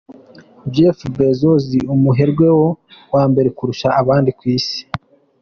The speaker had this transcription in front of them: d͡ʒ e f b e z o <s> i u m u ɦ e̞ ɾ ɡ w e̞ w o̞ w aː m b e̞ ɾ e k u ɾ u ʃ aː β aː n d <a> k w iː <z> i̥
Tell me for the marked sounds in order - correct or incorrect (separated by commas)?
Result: incorrect, incorrect, incorrect